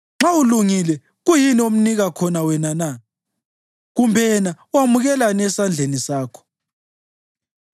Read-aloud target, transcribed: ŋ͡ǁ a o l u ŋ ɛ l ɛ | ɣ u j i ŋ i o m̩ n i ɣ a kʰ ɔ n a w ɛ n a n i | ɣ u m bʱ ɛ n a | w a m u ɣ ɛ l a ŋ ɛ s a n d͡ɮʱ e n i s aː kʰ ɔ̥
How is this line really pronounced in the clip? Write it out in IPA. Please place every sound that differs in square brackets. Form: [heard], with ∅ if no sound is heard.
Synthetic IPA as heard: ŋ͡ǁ a [u] l u ŋ [i] l ɛ | ɣ u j i [n] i o m̩ n i ɣ a kʰ ɔ n a w ɛ n a n [a] | ɣ u m bʱ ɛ n a | w a m u ɣ ɛ l a [n] ɛ s a n d͡ɮʱ e n i s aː kʰ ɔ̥